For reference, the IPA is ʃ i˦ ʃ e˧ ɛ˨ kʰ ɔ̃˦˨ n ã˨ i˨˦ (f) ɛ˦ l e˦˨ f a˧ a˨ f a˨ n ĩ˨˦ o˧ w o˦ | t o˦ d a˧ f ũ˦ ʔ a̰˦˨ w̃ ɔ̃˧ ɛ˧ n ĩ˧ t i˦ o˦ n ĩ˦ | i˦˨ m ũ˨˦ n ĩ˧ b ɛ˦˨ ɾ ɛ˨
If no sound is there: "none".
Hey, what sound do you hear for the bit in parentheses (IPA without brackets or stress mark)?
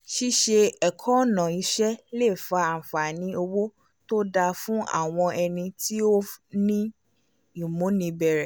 ʃ